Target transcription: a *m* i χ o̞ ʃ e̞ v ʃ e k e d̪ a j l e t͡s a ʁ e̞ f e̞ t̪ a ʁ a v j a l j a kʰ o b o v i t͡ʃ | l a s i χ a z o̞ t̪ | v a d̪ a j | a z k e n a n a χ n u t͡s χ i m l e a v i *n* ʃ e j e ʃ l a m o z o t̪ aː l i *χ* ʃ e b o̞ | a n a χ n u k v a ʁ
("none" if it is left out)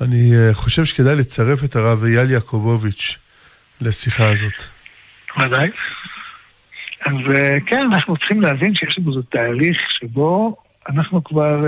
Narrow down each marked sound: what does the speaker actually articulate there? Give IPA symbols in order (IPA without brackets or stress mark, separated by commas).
n, n, χ